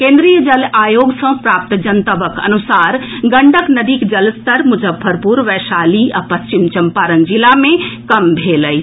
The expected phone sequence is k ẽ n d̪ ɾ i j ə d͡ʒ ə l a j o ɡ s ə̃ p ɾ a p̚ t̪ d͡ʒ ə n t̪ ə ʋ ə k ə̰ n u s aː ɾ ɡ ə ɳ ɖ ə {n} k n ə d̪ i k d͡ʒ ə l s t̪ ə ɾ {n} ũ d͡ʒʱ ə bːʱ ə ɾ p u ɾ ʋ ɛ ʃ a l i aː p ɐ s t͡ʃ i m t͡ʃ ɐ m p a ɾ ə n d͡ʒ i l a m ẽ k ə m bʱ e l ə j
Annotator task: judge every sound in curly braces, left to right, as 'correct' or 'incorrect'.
incorrect, incorrect

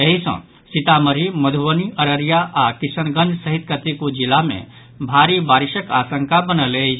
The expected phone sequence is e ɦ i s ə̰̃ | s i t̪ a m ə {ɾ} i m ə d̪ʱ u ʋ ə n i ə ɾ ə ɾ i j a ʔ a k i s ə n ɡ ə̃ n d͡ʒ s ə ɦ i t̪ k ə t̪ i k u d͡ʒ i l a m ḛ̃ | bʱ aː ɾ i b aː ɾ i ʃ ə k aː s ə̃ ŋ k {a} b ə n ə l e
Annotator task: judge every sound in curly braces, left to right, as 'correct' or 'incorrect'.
correct, correct

